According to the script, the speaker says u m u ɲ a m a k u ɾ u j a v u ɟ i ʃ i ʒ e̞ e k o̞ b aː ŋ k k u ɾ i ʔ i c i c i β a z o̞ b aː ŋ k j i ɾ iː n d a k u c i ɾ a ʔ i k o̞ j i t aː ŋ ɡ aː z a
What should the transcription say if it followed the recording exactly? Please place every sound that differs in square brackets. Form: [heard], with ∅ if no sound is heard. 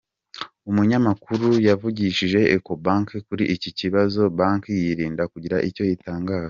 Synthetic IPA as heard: u m u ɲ a m a k u ɾ u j a v u ɟ i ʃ i ʒ e̞ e k o̞ b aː ŋ k k u ɾ i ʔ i c i c i β a z o̞ b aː ŋ k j i ɾ iː n d a k u [ɟ] i ɾ a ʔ i [c] o̞ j i t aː ŋ ɡ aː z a